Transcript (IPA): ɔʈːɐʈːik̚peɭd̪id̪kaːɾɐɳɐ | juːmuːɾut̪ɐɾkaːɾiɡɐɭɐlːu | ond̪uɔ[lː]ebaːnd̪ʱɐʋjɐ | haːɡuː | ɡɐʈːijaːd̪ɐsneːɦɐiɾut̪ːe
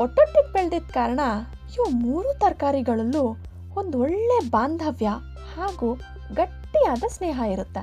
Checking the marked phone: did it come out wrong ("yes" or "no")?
yes